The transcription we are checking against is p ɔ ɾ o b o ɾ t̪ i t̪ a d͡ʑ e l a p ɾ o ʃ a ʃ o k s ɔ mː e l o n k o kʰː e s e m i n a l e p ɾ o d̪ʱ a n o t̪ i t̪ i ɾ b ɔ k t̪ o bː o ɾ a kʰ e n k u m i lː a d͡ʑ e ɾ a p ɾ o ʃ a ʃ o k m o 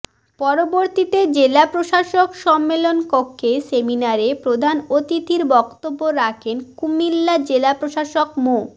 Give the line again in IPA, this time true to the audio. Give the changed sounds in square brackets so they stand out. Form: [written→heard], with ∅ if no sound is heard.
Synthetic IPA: p ɔ ɾ o b o ɾ t̪ i t̪ [a→e] d͡ʑ e l a p ɾ o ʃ a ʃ o k [s→ʃ] ɔ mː e l o n k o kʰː e s e m i n a [l→ɾ] e p ɾ o d̪ʱ a n o t̪ i t̪ i ɾ b ɔ k t̪ o bː o ɾ a kʰ e n k u m i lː a d͡ʑ e [ɾ→l] a p ɾ o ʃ a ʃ o k m o